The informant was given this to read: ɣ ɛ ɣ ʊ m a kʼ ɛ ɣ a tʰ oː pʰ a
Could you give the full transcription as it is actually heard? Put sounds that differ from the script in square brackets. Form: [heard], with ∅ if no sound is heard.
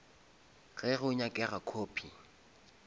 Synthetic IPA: ɣ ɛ ɣ ʊ [ɲ] a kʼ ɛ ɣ a [kʰ] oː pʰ [i]